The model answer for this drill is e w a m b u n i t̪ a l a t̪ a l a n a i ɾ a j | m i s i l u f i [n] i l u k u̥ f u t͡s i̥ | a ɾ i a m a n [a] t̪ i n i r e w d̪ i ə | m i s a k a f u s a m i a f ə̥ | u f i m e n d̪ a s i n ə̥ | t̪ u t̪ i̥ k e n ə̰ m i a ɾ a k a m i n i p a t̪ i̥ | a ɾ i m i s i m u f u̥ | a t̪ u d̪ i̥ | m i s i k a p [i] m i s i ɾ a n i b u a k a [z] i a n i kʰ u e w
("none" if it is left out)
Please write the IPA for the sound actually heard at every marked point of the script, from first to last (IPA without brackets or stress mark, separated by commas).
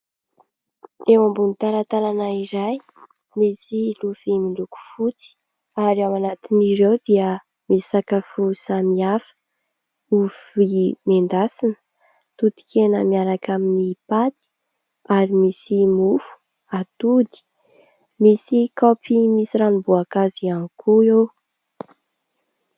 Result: m, a, i, z